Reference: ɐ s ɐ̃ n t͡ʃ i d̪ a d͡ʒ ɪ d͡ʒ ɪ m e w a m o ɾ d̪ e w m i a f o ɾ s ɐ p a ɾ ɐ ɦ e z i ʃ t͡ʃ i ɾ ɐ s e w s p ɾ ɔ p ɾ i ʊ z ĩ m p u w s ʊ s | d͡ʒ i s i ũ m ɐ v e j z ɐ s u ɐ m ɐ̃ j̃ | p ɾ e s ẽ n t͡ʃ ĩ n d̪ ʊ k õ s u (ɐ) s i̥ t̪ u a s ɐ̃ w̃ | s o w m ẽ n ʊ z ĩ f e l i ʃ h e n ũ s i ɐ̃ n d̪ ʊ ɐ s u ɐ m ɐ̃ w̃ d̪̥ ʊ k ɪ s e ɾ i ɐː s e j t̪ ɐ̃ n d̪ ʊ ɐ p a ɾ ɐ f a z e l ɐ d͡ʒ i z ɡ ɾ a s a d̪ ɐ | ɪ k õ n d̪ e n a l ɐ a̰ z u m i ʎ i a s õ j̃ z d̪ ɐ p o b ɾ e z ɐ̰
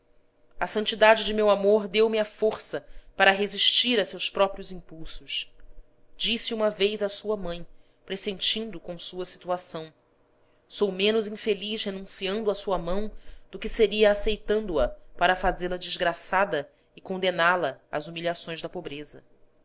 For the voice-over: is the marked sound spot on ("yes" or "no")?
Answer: yes